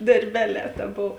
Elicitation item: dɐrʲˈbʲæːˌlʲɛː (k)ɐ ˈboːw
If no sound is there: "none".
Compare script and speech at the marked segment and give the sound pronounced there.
t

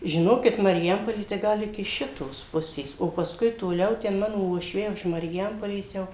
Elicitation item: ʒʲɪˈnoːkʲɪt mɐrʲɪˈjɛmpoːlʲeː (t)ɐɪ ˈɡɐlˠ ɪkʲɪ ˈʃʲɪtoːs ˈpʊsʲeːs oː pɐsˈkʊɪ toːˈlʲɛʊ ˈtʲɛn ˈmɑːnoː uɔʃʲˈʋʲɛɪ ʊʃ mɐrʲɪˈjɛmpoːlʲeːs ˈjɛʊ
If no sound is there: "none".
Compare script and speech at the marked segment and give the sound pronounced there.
t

